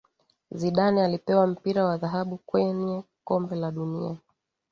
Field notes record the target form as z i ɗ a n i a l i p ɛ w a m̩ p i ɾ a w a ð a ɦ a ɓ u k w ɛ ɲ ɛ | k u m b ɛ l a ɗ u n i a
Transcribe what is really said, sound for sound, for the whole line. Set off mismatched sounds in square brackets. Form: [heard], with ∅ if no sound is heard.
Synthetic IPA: z i ɗ a n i a l i p ɛ w a m̩ p i ɾ a w a ð a ɦ a ɓ u k w ɛ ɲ ɛ | k [ɔ] m b ɛ l a ɗ u n i a